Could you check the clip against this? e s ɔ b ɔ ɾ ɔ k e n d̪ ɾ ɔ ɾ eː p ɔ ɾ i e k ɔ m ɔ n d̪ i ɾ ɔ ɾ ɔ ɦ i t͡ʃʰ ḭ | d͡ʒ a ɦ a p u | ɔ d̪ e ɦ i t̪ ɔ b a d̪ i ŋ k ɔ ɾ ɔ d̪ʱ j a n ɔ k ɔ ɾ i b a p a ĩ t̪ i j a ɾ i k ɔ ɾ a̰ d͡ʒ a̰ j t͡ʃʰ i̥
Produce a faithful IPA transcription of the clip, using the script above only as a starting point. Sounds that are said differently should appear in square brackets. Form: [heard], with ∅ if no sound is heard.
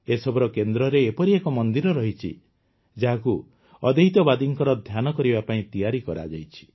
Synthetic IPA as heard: e s ɔ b ɔ ɾ ɔ k e n d̪ ɾ ɔ ɾ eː p ɔ ɾ i e k ɔ m ɔ n d̪ i ɾ ɔ ɾ ɔ ɦ i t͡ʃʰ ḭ | d͡ʒ a ɦ a [k] u | ɔ d̪ e ɦ i t̪ ɔ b a d̪ i ŋ k ɔ ɾ ɔ d̪ʱ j a n ɔ k ɔ ɾ i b a p a ĩ t̪ i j a ɾ i k ɔ ɾ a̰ d͡ʒ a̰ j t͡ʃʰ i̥